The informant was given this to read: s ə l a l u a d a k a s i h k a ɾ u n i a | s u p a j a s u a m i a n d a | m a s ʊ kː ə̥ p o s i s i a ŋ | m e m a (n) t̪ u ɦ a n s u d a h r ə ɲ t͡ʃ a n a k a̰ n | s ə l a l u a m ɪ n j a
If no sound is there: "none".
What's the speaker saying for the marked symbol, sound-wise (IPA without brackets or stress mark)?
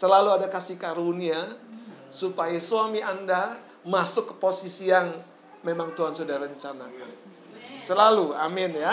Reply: ŋ